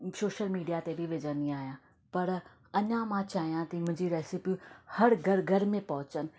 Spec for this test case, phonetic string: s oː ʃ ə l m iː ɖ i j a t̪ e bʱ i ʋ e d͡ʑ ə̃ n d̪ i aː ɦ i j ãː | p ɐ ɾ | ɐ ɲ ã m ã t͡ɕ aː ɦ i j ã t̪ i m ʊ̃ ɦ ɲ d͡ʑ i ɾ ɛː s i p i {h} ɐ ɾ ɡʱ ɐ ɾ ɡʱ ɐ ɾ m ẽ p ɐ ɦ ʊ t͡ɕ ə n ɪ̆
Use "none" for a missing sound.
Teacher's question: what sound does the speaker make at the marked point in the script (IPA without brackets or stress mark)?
h